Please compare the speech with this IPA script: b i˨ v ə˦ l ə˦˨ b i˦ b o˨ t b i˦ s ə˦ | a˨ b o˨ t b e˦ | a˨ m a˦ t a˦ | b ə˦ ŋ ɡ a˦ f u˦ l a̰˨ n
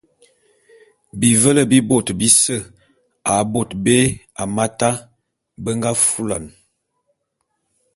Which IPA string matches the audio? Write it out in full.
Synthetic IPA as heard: b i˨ v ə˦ l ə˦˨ b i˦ b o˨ t b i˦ s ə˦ | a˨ b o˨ t b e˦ | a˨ m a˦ t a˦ | b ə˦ ŋ ɡ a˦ f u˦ l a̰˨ n